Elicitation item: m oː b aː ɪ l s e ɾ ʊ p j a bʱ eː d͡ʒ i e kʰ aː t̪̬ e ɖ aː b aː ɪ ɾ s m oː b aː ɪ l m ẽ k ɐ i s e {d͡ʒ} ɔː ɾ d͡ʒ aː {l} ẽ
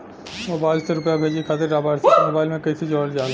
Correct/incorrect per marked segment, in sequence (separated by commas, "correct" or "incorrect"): correct, correct